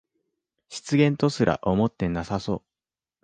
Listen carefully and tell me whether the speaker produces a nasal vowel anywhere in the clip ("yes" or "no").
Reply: yes